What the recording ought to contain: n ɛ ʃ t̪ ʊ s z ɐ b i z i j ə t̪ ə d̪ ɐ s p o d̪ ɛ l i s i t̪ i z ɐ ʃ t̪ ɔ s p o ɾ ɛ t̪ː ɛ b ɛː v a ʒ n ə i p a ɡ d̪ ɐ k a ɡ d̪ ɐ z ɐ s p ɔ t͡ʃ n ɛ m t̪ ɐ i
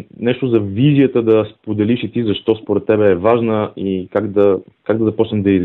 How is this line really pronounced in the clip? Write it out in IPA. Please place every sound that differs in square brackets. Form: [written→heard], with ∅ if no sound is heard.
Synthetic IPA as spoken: n ɛ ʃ t̪ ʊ [s→∅] z ɐ [b→v] i z i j ə t̪ ə d̪ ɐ s p o d̪ ɛ l i [s→ʃ] i t̪ i z ɐ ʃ t̪ ɔ s p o ɾ ɛ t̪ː ɛ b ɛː v a ʒ n ə i [p→k] a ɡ d̪ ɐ k a ɡ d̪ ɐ z ɐ [s→∅] p ɔ t͡ʃ n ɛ m [t̪→d̪] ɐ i